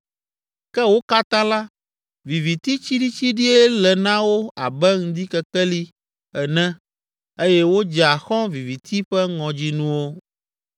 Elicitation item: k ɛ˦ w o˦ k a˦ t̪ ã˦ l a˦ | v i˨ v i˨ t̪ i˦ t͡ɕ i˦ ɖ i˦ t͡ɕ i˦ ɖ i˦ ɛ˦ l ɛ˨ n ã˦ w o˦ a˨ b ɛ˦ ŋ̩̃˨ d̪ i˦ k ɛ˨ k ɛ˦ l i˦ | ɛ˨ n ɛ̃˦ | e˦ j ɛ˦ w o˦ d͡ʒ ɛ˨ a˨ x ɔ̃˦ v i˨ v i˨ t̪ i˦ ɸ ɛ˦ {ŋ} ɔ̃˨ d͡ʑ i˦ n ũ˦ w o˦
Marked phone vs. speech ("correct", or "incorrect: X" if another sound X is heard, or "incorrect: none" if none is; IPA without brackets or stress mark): correct